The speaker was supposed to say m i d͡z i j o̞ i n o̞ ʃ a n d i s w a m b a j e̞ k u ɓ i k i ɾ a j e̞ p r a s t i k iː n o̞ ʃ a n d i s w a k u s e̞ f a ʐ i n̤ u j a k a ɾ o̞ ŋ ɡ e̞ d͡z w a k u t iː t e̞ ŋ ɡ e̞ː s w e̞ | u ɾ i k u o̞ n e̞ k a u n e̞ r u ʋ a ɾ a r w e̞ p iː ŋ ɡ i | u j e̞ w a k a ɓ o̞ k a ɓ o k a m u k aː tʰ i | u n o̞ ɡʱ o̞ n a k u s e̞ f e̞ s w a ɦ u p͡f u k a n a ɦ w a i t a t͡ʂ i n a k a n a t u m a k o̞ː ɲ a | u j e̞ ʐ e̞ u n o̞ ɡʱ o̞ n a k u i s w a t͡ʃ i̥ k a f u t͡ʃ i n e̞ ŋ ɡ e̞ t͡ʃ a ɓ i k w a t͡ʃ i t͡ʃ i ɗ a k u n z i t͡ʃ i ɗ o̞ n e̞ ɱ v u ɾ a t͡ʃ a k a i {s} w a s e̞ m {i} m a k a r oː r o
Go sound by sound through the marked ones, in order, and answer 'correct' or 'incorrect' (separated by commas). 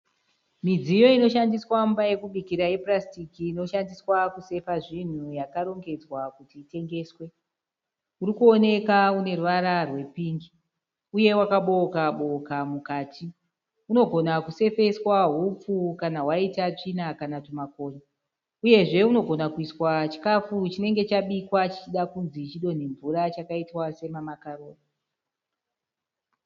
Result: incorrect, incorrect